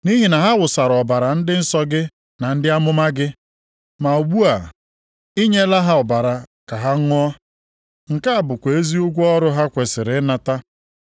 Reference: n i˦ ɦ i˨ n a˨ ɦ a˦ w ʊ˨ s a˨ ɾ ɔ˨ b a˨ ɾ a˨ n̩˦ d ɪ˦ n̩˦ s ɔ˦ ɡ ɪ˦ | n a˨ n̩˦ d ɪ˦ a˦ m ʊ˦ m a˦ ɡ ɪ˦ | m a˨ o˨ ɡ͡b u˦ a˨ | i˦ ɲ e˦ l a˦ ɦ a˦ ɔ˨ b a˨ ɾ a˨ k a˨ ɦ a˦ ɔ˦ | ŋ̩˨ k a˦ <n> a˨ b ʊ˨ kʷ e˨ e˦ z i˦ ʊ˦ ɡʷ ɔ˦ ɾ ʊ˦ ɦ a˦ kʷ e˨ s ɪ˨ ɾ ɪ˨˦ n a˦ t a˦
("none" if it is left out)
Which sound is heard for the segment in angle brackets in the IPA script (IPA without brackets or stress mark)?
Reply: none